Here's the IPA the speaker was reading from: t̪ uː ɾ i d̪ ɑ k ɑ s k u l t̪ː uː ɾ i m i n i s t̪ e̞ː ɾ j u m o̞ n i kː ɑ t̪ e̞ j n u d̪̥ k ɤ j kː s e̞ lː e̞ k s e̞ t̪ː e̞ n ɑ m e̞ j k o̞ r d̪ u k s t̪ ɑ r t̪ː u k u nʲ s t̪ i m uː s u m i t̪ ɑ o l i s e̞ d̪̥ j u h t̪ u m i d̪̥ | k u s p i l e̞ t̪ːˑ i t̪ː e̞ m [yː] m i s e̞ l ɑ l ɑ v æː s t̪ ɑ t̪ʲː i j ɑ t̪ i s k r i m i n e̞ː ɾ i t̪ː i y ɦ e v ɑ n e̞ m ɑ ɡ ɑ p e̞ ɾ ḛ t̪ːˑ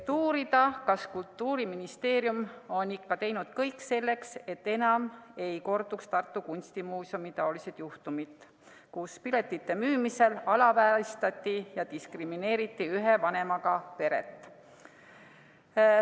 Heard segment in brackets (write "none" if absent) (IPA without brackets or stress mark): yː